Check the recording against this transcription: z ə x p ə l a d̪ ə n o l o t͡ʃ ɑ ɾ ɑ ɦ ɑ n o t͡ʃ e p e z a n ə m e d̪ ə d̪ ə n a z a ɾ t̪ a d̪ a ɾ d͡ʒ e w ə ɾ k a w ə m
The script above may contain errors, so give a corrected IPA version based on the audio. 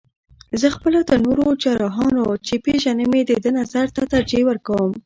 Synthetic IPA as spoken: z ə x p ə l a d̪ ə n o ɾ o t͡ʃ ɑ ɾ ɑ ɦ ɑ n o t͡ʃ e p e ʒ a n ə m e d̪ ə d̪ ə n a z a ɾ t̪ a t̪ a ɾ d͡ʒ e w ə ɾ k a w ə m